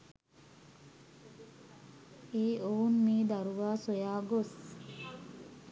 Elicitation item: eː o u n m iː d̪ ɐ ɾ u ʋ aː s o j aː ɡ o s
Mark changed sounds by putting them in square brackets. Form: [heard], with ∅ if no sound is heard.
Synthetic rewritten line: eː o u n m iː d̪ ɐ ɾ u ʋ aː s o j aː ɡ o s